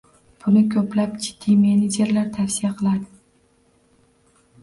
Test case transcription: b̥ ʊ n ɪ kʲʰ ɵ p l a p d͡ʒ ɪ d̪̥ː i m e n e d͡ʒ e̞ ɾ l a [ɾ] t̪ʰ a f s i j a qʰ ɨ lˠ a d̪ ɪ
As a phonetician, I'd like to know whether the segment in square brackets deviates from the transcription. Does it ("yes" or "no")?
no